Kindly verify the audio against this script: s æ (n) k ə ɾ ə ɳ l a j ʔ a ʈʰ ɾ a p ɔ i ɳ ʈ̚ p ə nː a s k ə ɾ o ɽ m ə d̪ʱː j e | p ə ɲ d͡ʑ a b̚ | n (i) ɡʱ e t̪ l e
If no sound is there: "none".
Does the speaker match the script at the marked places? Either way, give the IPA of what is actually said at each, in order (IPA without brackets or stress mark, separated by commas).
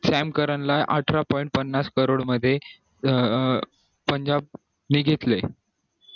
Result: m, i